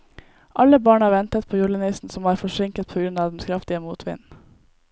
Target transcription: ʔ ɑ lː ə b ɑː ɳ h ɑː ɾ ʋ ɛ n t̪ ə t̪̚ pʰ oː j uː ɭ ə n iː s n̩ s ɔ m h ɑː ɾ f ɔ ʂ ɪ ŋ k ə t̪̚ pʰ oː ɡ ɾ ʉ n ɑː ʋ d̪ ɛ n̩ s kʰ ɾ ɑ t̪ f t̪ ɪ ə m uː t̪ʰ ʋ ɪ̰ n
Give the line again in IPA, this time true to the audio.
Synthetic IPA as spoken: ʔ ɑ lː ə b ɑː ɳ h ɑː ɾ ʋ ɛ n t̪ ə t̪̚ pʰ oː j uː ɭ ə n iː s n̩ s ɔ m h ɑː ɾ f ɔ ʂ ɪ ŋ k ə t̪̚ pʰ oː ɡ ɾ ʉ n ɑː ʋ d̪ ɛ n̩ s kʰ ɾ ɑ f t̪ ɪ ə m uː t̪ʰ ʋ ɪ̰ n